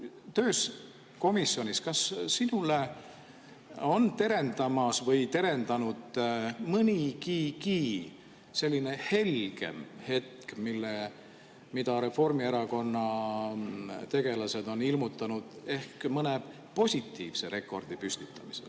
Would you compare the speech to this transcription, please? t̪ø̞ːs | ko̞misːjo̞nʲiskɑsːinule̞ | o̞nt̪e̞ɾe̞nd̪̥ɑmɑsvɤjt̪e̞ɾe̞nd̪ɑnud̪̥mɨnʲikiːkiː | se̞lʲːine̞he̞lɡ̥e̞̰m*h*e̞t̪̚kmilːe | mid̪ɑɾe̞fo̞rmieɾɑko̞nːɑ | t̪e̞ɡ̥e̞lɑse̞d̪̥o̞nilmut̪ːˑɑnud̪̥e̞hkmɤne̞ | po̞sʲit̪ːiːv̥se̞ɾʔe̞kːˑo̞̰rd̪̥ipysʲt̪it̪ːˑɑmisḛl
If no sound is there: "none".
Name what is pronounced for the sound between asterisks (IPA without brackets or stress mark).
h